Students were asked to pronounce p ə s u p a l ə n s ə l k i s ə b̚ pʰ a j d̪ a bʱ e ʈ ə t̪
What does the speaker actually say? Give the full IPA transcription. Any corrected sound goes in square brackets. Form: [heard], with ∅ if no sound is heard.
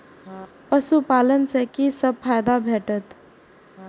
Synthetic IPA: p ə s u p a l ə n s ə [∅] k i s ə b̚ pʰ a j d̪ a bʱ e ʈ ə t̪